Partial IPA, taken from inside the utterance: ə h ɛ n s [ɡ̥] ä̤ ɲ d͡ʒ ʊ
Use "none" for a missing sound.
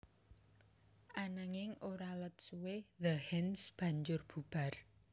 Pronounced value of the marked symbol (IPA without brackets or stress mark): b̥